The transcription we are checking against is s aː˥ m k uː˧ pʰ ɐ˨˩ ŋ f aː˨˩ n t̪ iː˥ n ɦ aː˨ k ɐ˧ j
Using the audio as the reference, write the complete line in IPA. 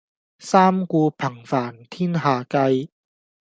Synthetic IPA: s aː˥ m k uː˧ pʰ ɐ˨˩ ŋ f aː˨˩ n t̪ʰ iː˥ n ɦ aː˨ k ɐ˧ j